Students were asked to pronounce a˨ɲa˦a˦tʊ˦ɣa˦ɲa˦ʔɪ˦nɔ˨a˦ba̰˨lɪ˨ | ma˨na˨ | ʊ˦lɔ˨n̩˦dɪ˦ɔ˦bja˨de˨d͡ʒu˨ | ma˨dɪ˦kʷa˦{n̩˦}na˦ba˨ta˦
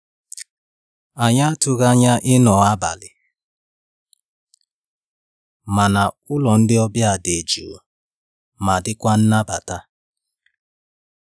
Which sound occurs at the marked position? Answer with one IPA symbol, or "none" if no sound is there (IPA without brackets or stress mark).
n̩˦